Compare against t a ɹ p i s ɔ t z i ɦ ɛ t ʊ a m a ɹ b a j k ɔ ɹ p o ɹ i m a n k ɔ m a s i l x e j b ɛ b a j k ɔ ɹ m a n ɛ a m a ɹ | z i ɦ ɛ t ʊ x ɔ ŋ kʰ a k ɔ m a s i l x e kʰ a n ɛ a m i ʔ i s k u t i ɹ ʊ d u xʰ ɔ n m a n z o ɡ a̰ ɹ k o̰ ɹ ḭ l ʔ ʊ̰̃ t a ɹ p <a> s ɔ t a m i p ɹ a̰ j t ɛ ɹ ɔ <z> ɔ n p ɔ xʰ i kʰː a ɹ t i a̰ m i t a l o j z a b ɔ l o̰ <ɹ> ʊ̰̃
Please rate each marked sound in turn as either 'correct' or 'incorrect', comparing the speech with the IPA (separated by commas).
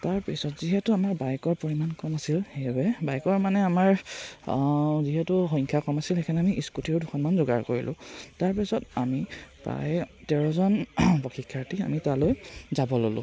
incorrect, correct, incorrect